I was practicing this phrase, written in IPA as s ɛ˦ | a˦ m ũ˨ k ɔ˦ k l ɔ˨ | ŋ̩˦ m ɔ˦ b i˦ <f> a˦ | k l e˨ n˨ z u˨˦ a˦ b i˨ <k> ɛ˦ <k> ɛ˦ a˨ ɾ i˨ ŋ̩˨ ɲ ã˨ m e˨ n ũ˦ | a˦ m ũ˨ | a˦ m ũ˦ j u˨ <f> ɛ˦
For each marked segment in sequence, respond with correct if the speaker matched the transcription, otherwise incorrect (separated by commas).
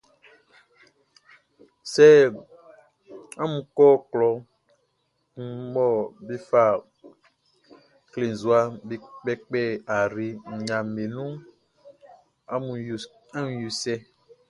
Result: correct, incorrect, incorrect, incorrect